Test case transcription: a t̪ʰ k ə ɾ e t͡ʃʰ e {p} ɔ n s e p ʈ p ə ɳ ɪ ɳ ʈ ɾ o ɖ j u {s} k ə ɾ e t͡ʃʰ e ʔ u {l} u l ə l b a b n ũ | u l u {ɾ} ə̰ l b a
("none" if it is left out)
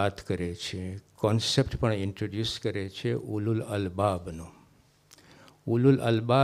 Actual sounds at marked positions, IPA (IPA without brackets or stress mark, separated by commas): k, s, l, l